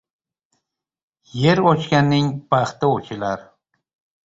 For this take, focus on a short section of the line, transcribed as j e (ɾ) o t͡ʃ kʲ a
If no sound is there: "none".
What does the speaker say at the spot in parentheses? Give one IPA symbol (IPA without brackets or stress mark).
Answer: ɾ